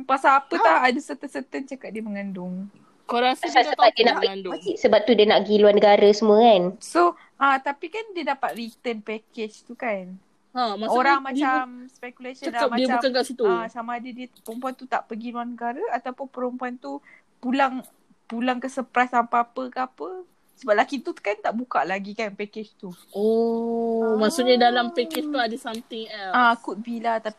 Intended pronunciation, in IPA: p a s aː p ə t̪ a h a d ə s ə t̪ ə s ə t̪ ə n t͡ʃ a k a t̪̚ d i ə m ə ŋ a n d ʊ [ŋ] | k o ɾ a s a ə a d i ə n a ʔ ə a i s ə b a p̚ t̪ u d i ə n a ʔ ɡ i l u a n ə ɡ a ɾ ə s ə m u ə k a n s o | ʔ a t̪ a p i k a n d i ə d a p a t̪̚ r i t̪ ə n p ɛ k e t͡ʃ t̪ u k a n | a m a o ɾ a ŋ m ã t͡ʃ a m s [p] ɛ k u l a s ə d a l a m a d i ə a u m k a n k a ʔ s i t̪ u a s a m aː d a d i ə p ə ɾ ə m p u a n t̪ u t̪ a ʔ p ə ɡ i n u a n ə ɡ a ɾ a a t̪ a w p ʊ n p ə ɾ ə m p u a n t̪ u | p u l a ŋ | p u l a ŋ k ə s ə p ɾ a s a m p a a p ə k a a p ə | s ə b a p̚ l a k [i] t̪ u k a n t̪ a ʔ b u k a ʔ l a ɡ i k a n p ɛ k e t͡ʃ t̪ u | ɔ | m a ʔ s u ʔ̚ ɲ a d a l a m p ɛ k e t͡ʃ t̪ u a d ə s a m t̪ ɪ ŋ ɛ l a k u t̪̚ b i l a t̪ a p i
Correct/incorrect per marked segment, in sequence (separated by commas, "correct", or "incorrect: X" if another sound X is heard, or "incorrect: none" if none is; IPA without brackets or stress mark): correct, correct, correct